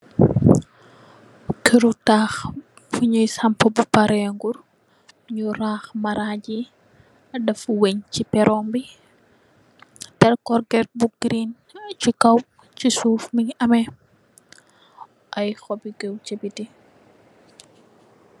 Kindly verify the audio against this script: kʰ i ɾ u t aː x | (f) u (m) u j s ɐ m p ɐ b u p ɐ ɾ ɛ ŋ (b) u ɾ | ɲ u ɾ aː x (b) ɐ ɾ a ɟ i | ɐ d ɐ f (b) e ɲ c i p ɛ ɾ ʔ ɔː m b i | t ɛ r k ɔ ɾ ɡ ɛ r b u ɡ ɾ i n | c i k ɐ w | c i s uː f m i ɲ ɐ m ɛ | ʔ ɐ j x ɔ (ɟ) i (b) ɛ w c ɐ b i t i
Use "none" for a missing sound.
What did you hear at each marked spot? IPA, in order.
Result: f, ɲ, ɡ, m, w, b, ɡ

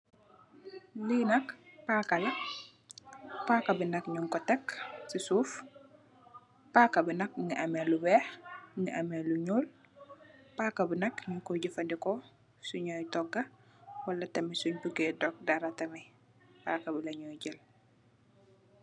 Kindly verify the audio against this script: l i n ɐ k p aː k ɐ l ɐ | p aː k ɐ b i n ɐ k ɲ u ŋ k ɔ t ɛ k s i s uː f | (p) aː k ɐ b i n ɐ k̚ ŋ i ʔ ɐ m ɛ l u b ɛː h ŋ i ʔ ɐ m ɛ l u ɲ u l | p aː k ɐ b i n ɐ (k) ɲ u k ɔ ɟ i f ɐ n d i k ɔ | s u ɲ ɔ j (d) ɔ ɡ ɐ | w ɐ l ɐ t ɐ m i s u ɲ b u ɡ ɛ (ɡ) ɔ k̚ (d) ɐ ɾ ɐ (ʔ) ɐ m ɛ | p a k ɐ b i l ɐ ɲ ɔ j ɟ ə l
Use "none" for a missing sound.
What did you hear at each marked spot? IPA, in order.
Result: p, k, t, d, d, t

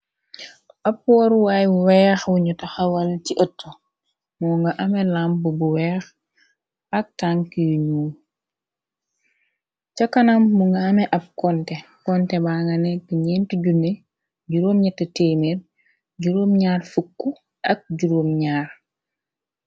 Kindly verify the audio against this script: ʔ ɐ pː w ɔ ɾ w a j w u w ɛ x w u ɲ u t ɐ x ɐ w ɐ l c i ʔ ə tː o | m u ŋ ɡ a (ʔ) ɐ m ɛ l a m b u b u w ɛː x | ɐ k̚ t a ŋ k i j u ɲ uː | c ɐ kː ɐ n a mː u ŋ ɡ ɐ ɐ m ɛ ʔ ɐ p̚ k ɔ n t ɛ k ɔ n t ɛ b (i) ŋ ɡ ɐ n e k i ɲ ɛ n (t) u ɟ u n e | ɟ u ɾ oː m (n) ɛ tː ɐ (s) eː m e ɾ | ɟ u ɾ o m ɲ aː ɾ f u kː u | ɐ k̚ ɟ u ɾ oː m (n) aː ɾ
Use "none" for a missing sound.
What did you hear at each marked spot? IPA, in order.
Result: ʔ, a, t, ɲ, t, ɲ

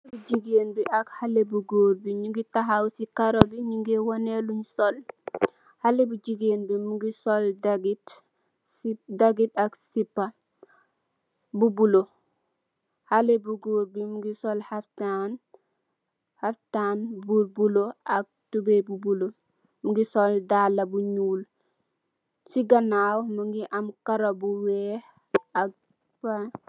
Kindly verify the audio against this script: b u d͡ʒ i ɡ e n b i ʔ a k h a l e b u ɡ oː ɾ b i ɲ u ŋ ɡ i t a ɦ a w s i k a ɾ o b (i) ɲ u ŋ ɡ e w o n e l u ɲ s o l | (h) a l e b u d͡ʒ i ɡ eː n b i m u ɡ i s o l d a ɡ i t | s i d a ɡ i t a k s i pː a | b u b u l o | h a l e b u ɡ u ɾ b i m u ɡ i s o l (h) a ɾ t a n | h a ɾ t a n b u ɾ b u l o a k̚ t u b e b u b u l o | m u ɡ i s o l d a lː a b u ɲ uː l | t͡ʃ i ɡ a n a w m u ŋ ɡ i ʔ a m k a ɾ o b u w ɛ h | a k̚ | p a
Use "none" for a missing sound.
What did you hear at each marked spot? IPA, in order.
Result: i, h, h

